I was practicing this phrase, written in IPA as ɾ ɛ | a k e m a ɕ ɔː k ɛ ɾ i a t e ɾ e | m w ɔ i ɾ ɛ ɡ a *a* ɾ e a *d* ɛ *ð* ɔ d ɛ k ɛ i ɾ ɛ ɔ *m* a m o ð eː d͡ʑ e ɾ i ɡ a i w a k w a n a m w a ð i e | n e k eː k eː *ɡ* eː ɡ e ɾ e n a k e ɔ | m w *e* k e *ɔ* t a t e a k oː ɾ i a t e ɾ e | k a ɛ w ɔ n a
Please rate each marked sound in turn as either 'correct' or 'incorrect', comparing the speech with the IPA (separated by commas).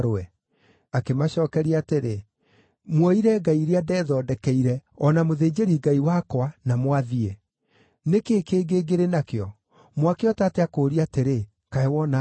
incorrect, correct, correct, incorrect, correct, incorrect, correct